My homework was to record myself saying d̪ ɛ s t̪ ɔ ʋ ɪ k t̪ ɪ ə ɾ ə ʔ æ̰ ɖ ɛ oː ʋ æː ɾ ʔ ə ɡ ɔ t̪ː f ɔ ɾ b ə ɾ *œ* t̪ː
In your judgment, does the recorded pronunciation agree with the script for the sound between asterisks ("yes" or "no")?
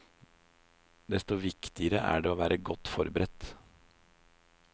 no